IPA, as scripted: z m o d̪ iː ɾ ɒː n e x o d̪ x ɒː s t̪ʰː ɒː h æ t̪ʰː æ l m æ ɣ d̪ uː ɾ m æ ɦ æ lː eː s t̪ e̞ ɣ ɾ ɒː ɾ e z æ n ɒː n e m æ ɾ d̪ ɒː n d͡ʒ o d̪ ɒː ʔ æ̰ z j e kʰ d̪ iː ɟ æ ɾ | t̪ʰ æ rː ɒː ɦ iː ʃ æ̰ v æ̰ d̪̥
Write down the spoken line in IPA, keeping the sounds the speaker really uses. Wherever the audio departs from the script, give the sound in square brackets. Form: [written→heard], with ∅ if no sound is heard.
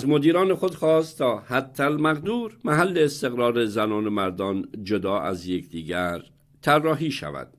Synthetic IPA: z m o d̪ iː ɾ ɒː n e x o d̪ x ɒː s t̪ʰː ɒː h æ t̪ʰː æ l m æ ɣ d̪ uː ɾ m æ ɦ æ lː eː s t̪ e̞ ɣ ɾ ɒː ɾ e z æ n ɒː n e m æ ɾ d̪ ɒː n d͡ʒ o d̪ ɒː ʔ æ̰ z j e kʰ d̪ iː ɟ æ ɾ | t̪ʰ æ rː ɒː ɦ iː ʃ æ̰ v æ̰ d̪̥

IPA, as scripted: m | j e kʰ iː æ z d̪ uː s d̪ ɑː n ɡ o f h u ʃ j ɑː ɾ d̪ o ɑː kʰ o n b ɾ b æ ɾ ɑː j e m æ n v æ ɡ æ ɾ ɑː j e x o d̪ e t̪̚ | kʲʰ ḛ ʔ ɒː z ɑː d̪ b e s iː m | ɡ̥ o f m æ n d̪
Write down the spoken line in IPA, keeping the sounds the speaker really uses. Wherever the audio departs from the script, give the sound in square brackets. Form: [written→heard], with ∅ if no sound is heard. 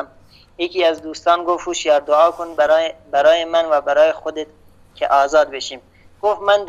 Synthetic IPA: m | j e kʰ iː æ z d̪ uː s [d̪→t̪] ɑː n ɡ o f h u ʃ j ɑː ɾ d̪ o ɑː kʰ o n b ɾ b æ ɾ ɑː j e m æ n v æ [ɡ→b] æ ɾ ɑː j e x o d̪ e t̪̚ | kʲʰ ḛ ʔ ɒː z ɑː d̪ b e [s→ʃ] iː m | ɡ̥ o f m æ n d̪

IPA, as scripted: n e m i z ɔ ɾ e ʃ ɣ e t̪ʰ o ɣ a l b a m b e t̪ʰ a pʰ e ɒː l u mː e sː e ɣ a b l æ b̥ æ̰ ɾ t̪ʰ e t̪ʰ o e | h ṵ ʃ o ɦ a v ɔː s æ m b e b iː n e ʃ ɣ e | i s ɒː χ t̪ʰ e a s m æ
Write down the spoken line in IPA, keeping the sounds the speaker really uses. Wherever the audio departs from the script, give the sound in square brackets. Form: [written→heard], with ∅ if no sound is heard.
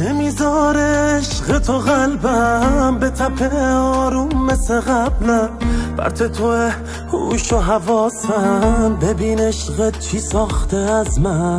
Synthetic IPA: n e m i z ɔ ɾ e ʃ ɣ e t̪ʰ o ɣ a l b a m b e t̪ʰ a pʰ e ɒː [l→ɾ] u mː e [sː→s] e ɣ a b l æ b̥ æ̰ ɾ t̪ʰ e t̪ʰ o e | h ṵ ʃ o ɦ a v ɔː s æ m b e b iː n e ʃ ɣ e | i s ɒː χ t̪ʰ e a [s→z] m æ

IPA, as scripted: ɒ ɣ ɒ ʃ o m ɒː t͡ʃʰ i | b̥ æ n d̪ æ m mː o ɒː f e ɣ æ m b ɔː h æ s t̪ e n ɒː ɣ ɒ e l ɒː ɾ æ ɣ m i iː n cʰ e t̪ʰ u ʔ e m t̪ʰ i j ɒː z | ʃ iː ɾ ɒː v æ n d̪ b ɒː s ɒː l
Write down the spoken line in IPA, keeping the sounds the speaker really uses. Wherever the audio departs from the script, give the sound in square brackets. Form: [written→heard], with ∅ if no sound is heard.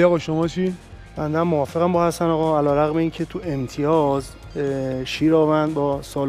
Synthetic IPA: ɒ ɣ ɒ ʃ o m ɒː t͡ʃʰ i | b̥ æ n d̪ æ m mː o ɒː f e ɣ æ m b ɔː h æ s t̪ [e→æ] n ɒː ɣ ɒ [e→æ] l ɒː ɾ æ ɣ m [i→e] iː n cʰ e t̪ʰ u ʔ e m t̪ʰ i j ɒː z | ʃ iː ɾ ɒː v æ n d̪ b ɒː s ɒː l

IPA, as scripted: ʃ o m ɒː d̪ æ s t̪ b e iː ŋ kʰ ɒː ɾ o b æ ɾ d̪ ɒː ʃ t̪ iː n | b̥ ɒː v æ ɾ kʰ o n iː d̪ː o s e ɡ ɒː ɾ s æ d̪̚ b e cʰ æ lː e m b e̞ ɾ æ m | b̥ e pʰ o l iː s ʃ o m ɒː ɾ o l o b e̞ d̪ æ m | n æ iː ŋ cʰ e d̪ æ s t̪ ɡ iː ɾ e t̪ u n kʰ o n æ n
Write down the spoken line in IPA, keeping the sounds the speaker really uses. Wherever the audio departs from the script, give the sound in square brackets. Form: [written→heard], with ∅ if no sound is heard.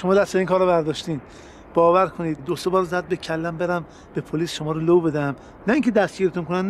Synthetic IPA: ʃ o m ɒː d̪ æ s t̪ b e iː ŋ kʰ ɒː ɾ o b æ ɾ d̪ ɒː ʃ t̪ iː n | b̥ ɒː v æ ɾ kʰ o n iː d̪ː o s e [ɡ→b] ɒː ɾ [s→z] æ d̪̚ b e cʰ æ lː [e→æ] m b e̞ ɾ æ m | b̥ e pʰ o l iː s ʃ o m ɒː ɾ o l o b e̞ d̪ æ m | n æ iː ŋ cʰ e d̪ æ s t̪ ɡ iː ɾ e t̪ u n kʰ o n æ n

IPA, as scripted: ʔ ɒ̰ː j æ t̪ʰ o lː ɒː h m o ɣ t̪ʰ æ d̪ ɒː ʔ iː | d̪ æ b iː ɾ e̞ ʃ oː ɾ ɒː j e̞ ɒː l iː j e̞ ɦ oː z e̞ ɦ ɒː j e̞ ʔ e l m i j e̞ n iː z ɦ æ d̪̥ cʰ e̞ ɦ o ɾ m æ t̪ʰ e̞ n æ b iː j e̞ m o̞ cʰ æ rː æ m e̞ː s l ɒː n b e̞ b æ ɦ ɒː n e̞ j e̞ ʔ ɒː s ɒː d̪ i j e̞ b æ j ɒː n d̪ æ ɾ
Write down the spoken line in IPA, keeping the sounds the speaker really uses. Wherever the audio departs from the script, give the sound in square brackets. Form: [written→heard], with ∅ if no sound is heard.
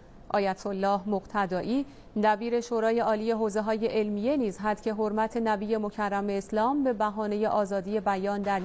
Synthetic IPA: ʔ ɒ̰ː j æ t̪ʰ o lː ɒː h m o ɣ t̪ʰ æ d̪ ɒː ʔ iː | d̪ æ b iː ɾ e̞ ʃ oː ɾ ɒː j e̞ ɒː l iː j e̞ ɦ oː z e̞ ɦ ɒː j e̞ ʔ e l m i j e̞ n iː z ɦ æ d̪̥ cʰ e̞ ɦ o ɾ m æ t̪ʰ e̞ n æ b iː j e̞ m o̞ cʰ æ rː æ m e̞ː s l ɒː [n→m] b e̞ b æ ɦ ɒː n e̞ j e̞ ʔ ɒː [s→z] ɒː d̪ i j e̞ b æ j ɒː n d̪ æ ɾ

